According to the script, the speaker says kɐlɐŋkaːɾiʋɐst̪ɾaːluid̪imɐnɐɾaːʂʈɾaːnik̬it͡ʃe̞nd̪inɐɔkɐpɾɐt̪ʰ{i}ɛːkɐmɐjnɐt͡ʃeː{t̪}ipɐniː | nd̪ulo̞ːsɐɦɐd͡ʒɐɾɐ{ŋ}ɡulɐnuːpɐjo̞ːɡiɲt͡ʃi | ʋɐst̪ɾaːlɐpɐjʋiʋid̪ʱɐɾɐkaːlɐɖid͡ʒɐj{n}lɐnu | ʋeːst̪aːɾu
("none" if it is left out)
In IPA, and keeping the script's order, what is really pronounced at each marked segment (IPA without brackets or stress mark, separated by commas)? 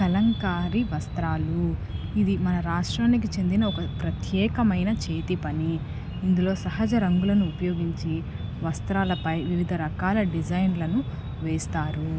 j, t̪, ŋ, n